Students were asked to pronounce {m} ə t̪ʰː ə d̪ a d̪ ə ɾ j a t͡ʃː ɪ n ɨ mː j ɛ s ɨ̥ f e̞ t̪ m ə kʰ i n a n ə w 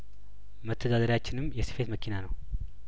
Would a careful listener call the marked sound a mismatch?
no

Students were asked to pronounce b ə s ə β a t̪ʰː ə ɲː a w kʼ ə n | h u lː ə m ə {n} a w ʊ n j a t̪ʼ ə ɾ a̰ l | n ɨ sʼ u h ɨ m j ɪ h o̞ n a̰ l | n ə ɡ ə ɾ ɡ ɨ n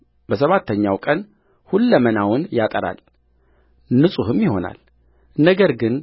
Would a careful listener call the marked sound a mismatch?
no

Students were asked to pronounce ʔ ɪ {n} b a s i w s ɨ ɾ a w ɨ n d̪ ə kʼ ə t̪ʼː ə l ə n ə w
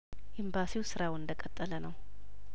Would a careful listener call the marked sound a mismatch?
yes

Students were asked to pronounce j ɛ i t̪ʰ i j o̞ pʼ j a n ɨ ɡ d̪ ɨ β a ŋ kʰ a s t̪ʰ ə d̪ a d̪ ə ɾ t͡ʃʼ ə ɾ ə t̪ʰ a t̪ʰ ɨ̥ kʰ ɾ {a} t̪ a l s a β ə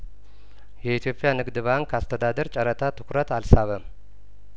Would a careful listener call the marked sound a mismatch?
yes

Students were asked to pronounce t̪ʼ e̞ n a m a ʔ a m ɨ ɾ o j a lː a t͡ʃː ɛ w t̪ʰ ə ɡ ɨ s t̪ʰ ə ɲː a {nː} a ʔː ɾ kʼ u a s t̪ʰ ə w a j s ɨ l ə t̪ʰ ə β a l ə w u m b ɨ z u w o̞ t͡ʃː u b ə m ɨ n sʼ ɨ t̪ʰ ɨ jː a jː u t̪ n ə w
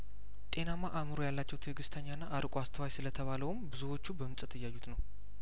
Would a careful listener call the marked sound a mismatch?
no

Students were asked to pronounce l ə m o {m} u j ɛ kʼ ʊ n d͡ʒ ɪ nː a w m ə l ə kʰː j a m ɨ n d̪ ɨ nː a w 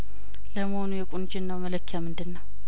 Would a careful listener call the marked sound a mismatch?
yes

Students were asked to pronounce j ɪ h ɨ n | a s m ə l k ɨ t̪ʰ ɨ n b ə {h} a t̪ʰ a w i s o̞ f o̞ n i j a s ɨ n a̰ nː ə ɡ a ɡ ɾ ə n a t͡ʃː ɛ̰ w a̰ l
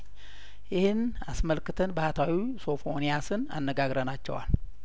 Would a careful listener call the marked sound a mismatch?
no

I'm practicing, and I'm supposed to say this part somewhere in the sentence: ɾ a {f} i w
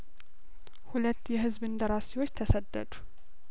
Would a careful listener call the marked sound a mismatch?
yes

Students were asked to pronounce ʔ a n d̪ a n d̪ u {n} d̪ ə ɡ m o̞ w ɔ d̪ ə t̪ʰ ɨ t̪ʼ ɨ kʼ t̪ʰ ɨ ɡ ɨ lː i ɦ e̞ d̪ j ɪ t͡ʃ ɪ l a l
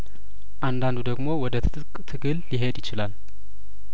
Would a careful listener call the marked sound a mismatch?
yes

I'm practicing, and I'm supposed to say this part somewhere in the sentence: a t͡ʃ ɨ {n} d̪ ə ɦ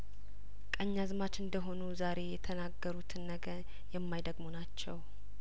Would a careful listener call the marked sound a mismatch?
no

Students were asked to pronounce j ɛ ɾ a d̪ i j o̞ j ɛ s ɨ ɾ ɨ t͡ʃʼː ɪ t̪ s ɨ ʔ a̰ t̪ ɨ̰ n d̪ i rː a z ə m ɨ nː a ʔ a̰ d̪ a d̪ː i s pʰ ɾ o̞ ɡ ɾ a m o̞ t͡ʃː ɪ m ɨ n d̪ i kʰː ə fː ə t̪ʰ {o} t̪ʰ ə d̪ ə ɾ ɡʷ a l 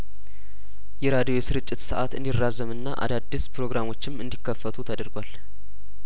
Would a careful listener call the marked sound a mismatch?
yes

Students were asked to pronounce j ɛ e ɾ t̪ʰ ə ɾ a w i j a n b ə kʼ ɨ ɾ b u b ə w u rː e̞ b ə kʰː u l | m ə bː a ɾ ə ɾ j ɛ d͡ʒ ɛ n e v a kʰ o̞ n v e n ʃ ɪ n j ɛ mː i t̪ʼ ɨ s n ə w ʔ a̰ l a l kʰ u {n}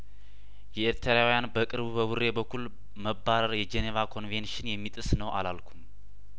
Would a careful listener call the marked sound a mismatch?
yes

